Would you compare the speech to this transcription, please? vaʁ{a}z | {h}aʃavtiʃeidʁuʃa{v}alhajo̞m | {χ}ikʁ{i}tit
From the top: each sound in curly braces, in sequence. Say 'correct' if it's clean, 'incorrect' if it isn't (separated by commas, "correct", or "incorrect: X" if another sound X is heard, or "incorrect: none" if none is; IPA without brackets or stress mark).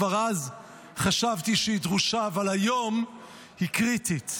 correct, incorrect: χ, correct, incorrect: h, correct